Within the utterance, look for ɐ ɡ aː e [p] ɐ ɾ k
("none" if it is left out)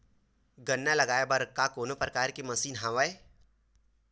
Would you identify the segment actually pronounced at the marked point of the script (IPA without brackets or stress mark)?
b